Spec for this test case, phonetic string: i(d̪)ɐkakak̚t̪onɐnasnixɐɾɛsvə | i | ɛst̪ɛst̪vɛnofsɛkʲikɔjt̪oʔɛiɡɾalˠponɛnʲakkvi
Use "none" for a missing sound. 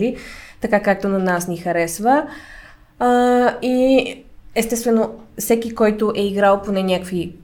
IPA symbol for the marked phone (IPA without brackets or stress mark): t̪